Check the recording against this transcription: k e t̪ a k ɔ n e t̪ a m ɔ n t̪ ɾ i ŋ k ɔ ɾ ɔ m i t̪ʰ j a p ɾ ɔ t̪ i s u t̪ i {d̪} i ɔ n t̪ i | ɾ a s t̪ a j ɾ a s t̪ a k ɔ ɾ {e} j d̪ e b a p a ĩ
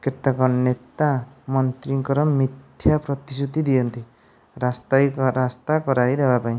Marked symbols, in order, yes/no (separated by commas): yes, no